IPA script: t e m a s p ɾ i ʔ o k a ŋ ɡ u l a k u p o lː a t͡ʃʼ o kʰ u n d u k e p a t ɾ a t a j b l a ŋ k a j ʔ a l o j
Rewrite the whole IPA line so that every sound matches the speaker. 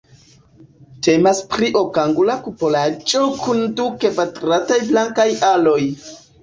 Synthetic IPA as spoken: t e m a s p ɾ i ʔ o k a ŋ ɡ u l a k u p o l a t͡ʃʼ o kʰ u n d u k e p a t ɾ a t a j b l a ŋ k a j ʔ a l o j